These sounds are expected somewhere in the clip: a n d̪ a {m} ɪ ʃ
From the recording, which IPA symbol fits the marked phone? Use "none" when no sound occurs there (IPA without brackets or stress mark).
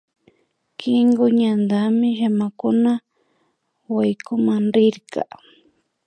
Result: m